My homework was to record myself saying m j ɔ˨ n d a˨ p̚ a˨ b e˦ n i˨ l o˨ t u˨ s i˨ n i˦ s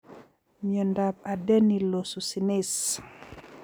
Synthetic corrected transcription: m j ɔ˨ n d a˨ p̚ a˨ d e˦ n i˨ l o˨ s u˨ s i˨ n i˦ s